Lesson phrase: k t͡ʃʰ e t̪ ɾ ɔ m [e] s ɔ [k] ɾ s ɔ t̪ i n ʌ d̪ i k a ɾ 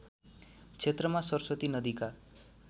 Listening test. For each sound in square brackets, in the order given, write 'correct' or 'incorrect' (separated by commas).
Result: incorrect, incorrect